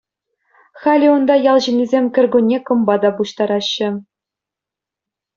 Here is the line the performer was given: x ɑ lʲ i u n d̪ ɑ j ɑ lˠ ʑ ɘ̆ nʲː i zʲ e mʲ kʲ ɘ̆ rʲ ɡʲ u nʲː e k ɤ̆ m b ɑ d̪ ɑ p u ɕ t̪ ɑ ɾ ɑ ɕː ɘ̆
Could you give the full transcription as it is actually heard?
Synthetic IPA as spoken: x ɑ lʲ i u n d̪ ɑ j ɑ lˠ ʑ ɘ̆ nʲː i zʲ e mʲ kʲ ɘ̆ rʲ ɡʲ u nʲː e k ɤ̆ m b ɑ d̪ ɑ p u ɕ t̪ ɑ ɾ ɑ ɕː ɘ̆